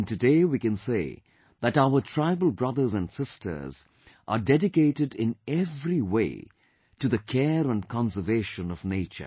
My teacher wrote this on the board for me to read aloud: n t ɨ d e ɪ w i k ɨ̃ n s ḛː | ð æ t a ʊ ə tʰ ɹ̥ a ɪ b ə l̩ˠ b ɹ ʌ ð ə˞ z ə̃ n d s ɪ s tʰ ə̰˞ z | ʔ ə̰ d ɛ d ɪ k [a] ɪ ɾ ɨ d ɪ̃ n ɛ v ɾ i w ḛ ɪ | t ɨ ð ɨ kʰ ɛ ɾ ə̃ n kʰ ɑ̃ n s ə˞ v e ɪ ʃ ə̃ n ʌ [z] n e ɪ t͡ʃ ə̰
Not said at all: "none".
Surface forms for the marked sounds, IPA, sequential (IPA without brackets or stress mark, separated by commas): e, v